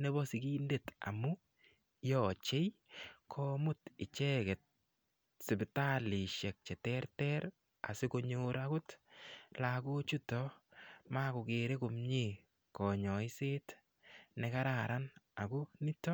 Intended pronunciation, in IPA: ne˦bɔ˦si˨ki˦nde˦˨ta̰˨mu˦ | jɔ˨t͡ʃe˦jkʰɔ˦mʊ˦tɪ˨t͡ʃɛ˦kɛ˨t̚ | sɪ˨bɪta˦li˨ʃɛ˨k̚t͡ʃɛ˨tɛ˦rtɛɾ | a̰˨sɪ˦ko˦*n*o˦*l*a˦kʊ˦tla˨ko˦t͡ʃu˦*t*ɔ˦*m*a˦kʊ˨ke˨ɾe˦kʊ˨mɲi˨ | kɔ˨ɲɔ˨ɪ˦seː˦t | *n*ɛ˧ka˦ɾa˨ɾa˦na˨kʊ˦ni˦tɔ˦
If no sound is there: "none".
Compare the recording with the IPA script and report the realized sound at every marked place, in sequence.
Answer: ɲ, ɾ, t, m, n

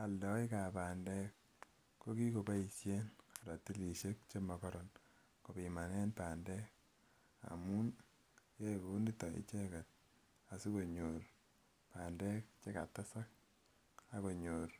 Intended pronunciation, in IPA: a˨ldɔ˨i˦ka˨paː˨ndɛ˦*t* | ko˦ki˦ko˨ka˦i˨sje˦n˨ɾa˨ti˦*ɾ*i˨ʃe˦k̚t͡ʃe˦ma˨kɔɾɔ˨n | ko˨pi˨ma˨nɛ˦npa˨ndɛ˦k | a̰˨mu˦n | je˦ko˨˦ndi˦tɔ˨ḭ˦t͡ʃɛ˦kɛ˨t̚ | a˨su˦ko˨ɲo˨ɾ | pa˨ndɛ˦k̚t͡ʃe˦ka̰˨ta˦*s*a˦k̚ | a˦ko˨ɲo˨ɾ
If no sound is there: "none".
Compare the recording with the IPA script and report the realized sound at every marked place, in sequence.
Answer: k, l, s

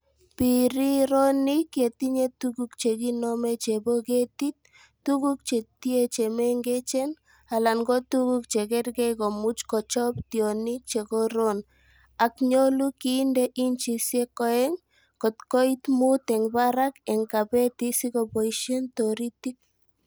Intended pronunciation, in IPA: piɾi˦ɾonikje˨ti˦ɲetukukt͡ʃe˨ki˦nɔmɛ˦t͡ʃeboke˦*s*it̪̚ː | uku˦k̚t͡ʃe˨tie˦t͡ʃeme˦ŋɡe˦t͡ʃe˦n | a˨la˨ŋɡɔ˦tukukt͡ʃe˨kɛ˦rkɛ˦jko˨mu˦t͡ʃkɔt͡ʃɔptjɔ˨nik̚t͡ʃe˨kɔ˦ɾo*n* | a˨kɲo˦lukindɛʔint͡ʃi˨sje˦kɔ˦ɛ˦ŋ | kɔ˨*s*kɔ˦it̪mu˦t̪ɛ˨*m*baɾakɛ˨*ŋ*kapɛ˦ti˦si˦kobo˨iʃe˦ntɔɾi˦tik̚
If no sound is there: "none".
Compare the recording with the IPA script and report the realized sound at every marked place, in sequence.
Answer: t, n, t, ŋ, ŋ

